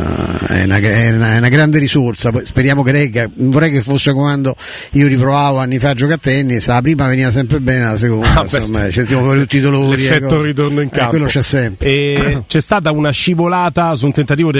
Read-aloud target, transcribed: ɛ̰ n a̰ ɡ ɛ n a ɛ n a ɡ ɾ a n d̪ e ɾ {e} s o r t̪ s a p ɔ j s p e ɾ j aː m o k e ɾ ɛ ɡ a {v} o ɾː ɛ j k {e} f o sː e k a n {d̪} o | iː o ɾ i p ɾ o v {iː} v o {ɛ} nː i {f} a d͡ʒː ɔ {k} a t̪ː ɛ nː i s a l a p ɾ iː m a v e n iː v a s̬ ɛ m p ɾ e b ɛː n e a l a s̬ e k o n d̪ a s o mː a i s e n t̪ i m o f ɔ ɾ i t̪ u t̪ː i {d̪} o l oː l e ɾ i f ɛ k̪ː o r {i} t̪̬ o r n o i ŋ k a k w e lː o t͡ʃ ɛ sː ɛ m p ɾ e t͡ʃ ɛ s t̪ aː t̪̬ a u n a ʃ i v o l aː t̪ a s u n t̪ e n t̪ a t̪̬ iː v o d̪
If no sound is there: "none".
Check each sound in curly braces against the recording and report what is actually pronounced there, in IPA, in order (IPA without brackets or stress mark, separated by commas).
i, v, e, d̪, aː, a, f, k, d̪, i